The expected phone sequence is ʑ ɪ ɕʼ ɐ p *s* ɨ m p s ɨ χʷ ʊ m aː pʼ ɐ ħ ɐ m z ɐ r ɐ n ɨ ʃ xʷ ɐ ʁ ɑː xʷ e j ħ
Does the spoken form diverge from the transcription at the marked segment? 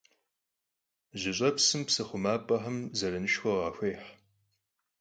no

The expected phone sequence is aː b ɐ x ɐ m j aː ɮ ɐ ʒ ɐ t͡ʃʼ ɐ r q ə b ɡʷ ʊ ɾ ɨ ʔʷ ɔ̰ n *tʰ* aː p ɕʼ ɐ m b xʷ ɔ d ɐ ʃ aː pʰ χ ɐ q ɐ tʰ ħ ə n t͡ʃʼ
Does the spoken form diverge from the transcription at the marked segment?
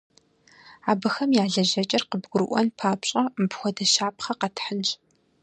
yes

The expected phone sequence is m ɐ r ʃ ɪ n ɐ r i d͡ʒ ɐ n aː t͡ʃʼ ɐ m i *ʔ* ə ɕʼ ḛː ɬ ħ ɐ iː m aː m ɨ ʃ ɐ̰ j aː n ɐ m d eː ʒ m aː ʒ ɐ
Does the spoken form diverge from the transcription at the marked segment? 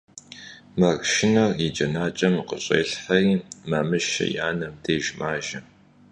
yes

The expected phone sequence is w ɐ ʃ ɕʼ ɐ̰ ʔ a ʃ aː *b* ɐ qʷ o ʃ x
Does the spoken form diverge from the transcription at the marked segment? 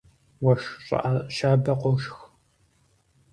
no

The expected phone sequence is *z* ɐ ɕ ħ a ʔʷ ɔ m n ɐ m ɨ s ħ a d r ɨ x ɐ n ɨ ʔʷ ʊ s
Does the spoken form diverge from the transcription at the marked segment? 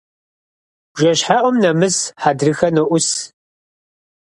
yes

